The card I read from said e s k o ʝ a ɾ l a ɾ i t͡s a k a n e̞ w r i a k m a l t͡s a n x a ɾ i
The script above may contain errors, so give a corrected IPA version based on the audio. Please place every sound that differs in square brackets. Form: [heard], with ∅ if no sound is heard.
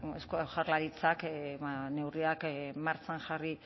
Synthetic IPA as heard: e s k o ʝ a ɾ l a ɾ i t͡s a k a n e̞ w r i a k m a [ɾ] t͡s a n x a [r] i